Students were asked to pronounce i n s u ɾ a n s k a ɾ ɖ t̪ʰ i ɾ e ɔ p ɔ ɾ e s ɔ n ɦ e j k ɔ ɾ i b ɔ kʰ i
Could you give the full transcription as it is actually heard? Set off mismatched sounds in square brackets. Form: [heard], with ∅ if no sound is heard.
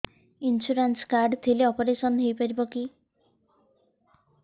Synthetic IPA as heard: i n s u ɾ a n s k a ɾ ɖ t̪ʰ i [l] e ɔ p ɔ ɾ e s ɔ n ɦ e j [p] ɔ ɾ i b ɔ [k] i